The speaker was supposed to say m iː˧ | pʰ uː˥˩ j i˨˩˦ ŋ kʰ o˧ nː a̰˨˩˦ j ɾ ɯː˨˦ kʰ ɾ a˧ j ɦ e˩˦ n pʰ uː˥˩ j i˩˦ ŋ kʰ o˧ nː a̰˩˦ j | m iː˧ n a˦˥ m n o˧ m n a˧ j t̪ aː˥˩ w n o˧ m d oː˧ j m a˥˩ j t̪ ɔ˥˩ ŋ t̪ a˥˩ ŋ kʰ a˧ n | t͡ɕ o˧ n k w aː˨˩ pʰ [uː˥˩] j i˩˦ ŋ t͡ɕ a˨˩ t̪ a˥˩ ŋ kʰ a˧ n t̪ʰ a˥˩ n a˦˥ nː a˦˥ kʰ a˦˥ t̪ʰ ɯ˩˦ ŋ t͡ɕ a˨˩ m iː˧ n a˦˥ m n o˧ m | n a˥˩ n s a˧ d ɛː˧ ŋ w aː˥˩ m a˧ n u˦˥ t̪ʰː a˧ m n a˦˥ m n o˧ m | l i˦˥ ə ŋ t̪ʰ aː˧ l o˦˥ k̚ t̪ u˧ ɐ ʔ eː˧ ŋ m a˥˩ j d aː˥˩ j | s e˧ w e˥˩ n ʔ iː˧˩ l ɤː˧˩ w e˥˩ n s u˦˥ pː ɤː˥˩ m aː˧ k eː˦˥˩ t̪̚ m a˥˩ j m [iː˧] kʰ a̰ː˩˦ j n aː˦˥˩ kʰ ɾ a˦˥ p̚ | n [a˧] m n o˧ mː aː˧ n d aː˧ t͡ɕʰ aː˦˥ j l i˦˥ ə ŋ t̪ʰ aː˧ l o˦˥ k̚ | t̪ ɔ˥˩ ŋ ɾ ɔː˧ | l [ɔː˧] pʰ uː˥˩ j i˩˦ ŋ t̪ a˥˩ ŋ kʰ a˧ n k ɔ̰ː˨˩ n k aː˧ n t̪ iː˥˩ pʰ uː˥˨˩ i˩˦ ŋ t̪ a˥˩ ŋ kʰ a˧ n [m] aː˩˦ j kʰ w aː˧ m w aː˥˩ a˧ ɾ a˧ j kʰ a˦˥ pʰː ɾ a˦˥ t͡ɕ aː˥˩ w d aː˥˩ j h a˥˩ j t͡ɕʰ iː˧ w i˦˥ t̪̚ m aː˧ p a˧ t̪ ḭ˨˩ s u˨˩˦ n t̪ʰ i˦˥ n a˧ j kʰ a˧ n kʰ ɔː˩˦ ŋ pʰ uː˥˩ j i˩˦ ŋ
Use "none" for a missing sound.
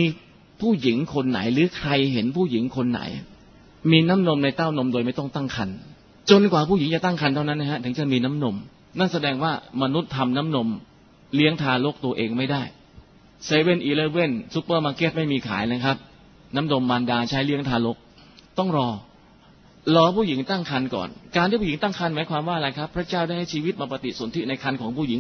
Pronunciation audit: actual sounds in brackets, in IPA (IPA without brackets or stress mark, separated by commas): uː˥˩, iː˧, a˦˥, ɔː˧, m